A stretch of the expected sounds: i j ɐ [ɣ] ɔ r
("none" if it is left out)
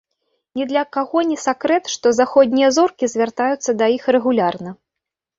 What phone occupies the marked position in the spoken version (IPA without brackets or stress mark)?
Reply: z